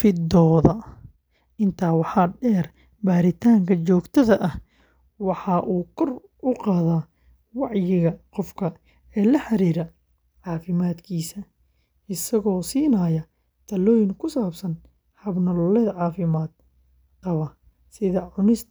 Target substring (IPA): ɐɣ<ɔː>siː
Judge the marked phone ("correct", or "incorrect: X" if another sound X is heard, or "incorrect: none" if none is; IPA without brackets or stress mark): correct